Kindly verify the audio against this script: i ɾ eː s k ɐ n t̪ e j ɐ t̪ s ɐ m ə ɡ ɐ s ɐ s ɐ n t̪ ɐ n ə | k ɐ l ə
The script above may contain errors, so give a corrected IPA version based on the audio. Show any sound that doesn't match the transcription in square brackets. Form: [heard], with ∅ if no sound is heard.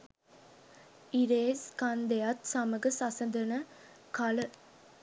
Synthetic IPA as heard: i ɾ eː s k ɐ n [d̪] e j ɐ t̪ s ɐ m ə ɡ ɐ s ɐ s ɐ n [d̪] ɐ n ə | k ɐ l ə